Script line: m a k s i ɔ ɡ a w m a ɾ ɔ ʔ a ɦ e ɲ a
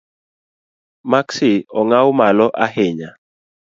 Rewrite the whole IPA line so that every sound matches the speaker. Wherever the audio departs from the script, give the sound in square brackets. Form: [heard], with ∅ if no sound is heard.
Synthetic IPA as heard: m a k s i ɔ [ŋ] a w m a [l] ɔ ʔ a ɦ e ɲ a